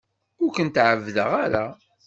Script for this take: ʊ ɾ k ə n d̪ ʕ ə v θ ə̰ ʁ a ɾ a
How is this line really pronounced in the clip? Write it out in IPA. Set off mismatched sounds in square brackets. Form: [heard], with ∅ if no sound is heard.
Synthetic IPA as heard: ʊ ɾ k ə n [t̪] ʕ ə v [ð] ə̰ ʁ a ɾ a